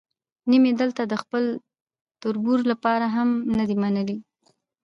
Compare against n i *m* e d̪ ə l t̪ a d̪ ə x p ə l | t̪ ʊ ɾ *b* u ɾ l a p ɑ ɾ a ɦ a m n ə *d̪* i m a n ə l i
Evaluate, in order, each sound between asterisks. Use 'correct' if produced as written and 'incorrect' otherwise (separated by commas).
correct, correct, correct